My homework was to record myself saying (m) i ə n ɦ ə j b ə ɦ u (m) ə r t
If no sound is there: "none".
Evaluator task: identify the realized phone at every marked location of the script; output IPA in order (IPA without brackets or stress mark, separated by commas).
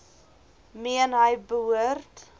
m, none